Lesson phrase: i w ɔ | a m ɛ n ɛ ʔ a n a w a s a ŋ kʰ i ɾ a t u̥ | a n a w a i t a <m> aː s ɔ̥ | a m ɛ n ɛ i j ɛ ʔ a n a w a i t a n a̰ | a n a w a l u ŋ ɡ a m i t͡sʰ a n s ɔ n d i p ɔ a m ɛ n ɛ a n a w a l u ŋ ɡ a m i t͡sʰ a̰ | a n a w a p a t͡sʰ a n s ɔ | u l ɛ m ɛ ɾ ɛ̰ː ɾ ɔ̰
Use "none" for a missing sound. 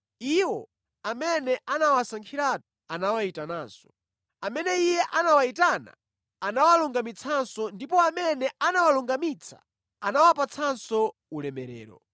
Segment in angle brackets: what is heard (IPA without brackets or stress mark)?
n